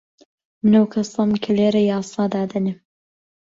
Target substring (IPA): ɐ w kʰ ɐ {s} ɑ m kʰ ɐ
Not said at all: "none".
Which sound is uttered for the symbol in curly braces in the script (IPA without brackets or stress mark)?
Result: s